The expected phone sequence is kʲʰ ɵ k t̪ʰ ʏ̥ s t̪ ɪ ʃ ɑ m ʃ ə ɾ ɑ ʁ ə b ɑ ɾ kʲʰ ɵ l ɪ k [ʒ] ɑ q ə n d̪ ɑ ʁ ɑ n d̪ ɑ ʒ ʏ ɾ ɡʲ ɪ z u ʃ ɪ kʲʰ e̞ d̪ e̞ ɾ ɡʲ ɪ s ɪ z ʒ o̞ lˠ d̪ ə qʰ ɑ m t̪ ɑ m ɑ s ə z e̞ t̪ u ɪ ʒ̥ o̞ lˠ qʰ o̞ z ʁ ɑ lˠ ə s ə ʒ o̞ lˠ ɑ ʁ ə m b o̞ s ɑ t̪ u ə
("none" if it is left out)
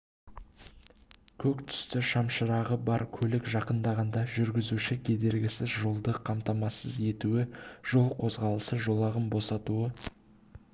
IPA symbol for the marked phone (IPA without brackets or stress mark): ʒ